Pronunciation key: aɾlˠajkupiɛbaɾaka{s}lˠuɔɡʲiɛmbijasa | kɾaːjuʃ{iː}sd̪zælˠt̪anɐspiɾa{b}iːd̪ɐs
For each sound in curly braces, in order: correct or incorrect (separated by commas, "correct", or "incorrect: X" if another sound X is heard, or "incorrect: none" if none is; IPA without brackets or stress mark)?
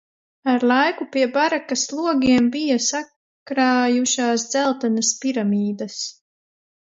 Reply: correct, incorrect: aː, incorrect: m